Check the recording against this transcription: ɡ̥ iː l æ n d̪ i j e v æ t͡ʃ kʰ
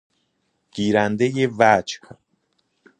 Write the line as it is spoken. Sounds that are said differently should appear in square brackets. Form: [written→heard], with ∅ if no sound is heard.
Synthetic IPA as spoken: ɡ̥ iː [l→ɾ] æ n d̪ [i→e] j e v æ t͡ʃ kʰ